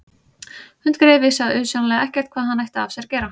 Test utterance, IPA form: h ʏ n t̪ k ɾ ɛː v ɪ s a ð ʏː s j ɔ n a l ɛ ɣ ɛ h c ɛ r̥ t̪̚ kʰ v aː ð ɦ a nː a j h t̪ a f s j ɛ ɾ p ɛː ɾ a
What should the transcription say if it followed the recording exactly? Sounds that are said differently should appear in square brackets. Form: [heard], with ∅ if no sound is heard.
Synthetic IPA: h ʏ n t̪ k ɾ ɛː v ɪ s a ð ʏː s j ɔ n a l ɛ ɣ ɛ h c ɛ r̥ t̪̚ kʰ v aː ð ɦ a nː a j h t̪ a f s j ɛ ɾ [c] ɛː ɾ a